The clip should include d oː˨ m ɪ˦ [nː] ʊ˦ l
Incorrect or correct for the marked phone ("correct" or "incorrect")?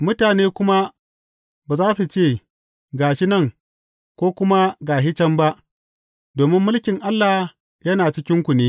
incorrect